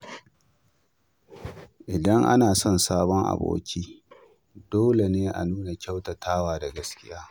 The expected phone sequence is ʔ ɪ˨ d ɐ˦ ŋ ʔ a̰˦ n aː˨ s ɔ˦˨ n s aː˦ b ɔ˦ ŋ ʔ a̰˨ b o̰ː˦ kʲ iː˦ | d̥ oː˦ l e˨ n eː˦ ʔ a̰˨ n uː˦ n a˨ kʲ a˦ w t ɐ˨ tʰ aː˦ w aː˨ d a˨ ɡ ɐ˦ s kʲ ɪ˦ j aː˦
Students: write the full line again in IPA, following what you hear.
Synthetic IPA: ʔ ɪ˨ d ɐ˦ ŋ ʔ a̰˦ n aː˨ s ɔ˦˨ n s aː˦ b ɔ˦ ŋ ʔ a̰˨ b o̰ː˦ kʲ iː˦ | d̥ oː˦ l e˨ n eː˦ ʔ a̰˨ n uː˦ n a˨ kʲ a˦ w t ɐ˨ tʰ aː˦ w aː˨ d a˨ ɡ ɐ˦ s kʲ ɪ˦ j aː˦